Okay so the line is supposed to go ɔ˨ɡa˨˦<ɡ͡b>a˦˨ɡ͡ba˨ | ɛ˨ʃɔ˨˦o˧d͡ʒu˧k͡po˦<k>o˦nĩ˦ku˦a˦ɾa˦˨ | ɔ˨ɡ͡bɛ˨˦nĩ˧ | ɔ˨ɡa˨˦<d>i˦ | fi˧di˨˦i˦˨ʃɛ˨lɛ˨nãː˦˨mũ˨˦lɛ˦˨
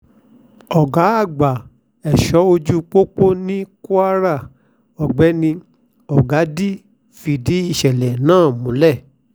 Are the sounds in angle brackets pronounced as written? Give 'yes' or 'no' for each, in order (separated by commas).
no, no, yes